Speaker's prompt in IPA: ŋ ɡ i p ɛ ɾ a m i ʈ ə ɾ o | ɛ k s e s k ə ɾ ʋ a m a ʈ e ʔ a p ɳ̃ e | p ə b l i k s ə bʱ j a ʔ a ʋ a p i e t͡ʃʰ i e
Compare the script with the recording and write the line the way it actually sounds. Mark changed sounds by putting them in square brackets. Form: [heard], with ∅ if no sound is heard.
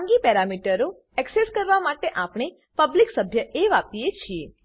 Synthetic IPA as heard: ŋ ɡ i p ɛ ɾ a m i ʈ ə ɾ o | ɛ k s e s k ə ɾ ʋ a m a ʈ e ʔ a p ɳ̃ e | p ə b l i k s ə bʱ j [ə] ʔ [e] ʋ a p i e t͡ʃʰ i e